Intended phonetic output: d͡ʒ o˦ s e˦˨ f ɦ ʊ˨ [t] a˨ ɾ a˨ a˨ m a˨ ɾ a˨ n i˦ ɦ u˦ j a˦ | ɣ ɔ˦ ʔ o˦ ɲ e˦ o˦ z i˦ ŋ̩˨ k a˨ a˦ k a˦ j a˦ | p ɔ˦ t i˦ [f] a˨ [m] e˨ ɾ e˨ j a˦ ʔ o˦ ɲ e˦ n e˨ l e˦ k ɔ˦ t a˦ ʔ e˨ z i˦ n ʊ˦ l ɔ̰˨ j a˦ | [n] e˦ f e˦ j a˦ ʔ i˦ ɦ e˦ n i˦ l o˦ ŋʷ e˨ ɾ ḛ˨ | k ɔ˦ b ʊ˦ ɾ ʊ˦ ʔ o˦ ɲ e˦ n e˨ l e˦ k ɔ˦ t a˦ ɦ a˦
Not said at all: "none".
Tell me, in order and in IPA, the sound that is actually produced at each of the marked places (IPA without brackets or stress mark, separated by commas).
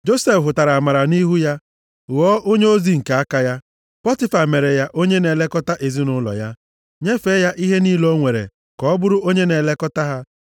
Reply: t, f, m, ɲ